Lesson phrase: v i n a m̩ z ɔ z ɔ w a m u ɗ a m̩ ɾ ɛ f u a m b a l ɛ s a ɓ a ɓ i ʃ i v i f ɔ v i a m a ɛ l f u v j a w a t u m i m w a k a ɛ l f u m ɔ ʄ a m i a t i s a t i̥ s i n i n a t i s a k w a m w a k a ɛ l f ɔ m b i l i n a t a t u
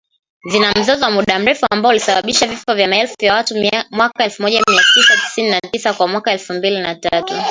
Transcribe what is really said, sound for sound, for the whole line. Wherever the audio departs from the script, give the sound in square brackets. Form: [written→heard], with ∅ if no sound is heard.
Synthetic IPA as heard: v i n a m̩ z ɔ z ɔ w a m u ɗ a m̩ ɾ ɛ f u a m b a l [ɛ→i] s a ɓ a ɓ i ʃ [i→a] v i f ɔ v [i→j] a m a ɛ l f u v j a w a t u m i m w a k a ɛ l f u m ɔ ʄ a m i a t i s a t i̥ s i n i n a t i s a k w a m w a k a ɛ l f [ɔ→u] m b i l i n a t a t u